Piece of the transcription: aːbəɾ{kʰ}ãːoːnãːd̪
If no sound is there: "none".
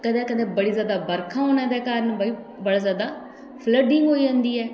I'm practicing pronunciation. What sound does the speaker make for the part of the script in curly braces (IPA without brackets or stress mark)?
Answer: kʰ